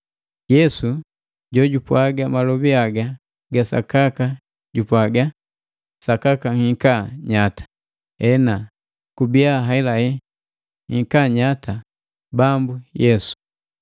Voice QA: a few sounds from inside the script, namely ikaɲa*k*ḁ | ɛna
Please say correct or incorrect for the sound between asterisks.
incorrect